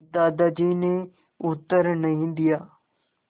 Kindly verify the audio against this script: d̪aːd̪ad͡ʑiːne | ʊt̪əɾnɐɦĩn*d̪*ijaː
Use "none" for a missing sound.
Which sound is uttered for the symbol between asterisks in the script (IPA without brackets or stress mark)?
d̪